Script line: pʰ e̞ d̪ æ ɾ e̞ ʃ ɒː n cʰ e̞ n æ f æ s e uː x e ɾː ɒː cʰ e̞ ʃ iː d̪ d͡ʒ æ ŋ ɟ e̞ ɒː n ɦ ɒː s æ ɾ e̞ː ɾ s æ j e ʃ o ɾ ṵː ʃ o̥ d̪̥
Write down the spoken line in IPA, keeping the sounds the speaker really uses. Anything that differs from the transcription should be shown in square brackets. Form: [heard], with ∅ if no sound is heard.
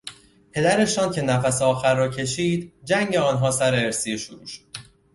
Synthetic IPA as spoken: pʰ e̞ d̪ æ ɾ e̞ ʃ ɒː n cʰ e̞ n æ f æ s e [ɒː] x [æ] ɾː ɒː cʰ e̞ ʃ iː d̪ d͡ʒ æ ŋ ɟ e̞ ɒː n ɦ ɒː s æ ɾ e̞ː ɾ s [i] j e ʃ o ɾ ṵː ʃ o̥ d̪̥